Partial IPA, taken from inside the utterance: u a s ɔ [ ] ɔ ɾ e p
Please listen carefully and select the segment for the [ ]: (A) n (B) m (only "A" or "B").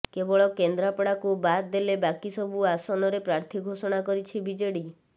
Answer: A